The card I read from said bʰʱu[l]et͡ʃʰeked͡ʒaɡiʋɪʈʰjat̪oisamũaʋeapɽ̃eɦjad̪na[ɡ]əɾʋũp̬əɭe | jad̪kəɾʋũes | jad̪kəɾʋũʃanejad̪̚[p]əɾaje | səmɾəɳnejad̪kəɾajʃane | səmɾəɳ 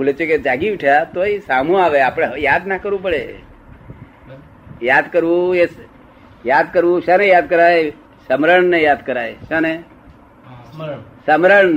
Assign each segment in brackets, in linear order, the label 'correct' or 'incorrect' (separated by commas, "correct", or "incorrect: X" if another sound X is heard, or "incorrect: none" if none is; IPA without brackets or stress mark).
correct, incorrect: k, incorrect: k